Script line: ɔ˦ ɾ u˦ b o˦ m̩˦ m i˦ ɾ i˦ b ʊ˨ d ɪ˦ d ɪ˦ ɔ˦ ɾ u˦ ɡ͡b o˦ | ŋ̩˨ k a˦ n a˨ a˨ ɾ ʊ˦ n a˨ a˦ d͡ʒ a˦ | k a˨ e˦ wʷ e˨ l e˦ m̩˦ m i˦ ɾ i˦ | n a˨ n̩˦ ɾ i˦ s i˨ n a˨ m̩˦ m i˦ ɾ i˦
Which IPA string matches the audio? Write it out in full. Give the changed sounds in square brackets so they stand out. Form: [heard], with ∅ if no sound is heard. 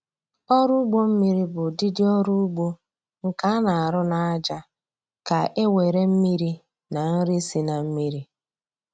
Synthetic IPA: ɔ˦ ɾ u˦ [ɡ͡b] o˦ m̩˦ m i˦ ɾ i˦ b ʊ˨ d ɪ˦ d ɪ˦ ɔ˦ ɾ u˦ ɡ͡b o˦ | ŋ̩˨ k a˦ n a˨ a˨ ɾ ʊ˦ n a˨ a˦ d͡ʒ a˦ | k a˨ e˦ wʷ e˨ [ɾ] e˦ m̩˦ m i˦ ɾ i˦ | n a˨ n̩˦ ɾ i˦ s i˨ n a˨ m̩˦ m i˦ ɾ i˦